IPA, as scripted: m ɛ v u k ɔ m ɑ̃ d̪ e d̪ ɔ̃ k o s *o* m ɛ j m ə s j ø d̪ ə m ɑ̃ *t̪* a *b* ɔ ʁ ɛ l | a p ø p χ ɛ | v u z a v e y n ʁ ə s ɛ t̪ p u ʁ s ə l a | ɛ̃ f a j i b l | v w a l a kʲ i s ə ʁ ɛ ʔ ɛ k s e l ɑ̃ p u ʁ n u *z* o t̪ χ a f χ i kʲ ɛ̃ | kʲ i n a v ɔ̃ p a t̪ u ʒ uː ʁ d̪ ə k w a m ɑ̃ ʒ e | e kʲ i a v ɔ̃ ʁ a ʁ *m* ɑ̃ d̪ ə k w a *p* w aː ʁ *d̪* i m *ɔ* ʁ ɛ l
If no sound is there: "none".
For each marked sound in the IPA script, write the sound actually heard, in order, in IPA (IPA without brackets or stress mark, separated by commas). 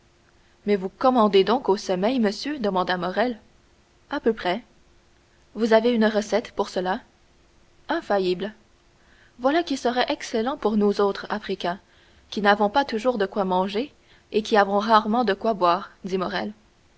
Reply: ɔ, d̪, m, z, m, b, d̪, ɔ